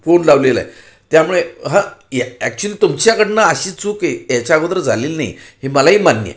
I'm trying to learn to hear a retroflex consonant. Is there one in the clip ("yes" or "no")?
yes